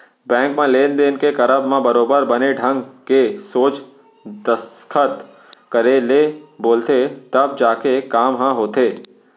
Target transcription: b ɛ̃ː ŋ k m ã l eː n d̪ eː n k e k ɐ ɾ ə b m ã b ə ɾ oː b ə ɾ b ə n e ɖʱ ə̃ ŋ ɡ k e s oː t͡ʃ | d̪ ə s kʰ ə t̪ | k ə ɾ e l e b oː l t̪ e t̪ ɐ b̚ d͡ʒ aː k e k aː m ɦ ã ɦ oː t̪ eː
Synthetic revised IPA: b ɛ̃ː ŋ k m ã l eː n d̪ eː n k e k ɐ ɾ ə b m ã b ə ɾ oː b ə ɾ b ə n e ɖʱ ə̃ ŋ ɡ k e s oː t͡ʃ | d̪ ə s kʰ ə t̪ | k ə ɾ e l e b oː l t̪ e t̪ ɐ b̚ d͡ʒ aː k e k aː m ɦ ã ɦ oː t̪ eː